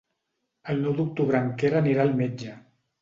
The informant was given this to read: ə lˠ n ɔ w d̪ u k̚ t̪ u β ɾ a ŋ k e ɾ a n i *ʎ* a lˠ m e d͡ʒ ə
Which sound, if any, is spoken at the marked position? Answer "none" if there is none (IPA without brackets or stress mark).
ɾ